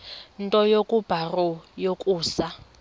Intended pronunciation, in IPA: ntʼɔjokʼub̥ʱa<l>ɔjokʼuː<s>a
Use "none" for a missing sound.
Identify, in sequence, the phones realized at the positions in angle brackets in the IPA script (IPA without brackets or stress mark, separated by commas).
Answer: r, s